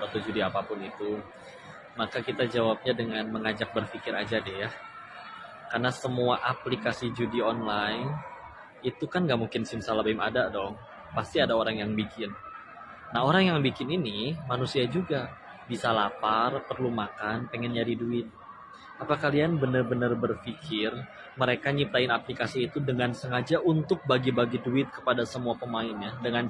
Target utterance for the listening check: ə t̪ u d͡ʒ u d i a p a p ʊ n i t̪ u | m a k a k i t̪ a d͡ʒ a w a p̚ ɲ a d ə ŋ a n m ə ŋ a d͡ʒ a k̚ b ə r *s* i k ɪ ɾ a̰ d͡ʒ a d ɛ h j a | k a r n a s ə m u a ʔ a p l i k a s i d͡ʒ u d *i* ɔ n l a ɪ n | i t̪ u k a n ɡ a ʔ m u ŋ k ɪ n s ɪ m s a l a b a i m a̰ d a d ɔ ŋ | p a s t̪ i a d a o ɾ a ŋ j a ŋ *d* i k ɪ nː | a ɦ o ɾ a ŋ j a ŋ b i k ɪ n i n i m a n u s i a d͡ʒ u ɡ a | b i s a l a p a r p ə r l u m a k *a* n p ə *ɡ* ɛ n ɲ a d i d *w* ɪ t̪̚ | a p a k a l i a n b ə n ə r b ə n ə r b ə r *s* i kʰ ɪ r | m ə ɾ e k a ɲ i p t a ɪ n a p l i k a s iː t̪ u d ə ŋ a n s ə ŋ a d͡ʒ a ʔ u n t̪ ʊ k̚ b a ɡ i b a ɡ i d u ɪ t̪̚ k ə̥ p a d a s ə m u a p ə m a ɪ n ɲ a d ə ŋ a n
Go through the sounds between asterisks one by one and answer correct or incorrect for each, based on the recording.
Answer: incorrect: f, correct, incorrect: b, correct, incorrect: ŋ, incorrect: u, incorrect: f

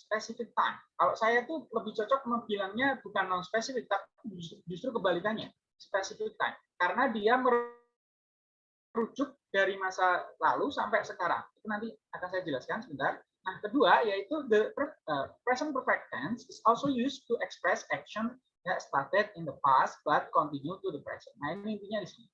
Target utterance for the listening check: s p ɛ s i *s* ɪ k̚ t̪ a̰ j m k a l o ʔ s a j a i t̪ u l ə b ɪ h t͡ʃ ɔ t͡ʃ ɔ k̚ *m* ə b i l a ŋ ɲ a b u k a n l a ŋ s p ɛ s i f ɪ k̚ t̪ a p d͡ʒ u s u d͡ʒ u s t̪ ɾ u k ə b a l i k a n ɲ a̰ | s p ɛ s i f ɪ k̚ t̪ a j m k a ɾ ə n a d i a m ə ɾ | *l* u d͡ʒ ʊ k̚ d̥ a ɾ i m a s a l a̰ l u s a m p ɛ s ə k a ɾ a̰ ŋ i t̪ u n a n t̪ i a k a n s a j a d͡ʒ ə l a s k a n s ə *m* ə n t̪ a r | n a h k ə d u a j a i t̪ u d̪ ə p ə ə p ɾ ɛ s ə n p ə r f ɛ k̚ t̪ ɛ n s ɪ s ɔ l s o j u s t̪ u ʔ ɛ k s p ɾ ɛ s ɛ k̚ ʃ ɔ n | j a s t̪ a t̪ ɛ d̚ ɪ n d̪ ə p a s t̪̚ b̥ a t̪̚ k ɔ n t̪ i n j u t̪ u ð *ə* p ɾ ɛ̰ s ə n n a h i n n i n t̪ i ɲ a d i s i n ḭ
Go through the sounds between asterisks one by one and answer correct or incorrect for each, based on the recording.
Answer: incorrect: f, correct, incorrect: ɾ, incorrect: b, correct

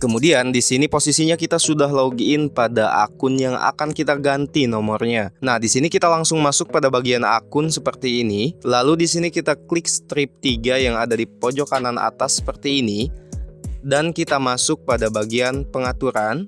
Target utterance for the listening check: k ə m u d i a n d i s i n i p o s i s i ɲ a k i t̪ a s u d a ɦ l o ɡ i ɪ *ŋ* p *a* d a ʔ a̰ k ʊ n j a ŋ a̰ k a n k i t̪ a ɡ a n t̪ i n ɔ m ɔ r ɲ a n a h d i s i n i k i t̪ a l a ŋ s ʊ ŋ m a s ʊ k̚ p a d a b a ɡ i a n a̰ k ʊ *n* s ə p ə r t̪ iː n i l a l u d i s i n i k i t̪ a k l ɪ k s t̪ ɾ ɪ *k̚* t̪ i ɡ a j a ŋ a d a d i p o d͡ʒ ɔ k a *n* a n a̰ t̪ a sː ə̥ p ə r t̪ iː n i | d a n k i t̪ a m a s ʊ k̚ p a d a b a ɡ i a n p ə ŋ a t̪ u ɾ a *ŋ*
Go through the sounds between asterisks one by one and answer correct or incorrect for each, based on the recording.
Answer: incorrect: n, correct, correct, incorrect: p̚, correct, incorrect: n

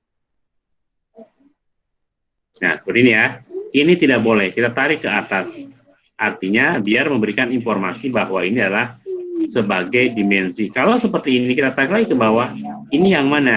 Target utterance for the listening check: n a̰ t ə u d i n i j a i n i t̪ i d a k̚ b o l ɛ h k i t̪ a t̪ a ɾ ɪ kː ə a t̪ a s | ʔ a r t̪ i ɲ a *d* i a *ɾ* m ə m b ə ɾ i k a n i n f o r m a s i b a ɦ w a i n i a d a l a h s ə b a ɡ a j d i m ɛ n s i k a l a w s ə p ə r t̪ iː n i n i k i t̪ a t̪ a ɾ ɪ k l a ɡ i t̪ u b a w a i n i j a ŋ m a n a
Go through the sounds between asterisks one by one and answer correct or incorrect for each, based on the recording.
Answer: incorrect: b, incorrect: r

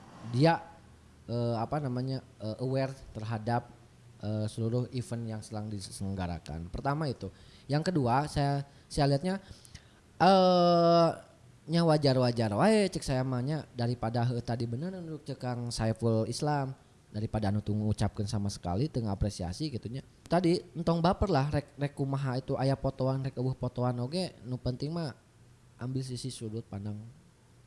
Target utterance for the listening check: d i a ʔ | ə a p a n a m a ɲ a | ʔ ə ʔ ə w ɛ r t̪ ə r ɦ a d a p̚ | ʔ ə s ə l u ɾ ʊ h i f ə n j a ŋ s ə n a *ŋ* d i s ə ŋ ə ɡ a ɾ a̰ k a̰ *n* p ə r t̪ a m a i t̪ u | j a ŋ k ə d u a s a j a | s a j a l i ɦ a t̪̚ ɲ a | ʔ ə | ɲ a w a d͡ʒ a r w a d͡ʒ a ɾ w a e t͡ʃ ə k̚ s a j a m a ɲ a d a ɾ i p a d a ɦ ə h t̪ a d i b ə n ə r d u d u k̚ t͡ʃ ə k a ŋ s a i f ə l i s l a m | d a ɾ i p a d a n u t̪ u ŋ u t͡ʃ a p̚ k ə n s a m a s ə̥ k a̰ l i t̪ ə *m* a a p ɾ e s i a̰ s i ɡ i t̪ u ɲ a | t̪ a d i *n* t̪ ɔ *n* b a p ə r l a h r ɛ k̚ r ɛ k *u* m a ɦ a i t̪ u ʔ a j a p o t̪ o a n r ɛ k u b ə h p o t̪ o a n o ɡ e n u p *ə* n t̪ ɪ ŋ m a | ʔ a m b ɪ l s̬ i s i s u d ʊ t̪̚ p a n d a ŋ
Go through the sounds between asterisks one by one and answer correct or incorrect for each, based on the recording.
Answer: correct, correct, incorrect: ŋ, correct, incorrect: ŋ, correct, correct

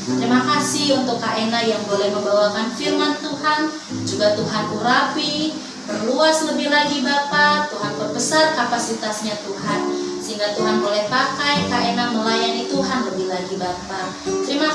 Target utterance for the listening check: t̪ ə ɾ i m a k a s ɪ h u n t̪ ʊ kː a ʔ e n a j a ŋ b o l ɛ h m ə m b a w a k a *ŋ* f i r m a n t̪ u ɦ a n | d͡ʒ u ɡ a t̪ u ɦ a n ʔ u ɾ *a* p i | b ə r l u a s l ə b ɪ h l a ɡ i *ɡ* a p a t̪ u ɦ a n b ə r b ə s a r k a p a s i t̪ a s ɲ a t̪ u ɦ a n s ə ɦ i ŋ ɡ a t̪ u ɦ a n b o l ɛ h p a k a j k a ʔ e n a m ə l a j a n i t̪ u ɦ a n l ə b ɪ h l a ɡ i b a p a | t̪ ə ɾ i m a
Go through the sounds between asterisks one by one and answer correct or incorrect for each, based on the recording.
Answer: incorrect: n, correct, incorrect: b

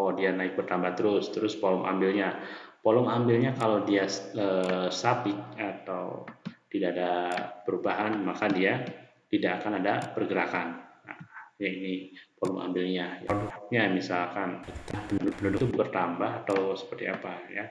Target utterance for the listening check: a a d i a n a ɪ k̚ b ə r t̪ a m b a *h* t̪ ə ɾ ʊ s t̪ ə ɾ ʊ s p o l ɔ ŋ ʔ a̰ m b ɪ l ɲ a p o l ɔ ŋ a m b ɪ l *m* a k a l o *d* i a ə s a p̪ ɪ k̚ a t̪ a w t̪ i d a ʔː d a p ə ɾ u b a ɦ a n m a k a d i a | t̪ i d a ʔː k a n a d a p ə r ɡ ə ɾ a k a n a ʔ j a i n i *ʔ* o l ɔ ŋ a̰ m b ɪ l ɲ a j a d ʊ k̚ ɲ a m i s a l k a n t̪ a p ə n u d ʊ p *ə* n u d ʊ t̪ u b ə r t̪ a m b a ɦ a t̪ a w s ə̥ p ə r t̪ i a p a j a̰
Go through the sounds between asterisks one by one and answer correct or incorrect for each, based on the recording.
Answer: correct, incorrect: ɲ, correct, incorrect: p, correct

